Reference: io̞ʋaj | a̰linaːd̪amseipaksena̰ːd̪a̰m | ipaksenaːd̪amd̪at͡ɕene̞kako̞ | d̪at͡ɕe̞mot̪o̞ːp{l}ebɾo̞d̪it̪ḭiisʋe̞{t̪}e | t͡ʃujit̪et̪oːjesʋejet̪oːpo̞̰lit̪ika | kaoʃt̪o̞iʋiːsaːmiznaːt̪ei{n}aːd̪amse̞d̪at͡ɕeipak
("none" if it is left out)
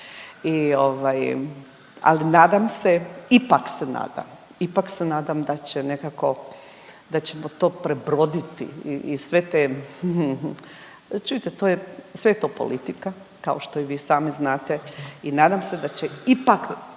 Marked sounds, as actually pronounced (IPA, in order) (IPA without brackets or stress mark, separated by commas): ɾ, t̪, n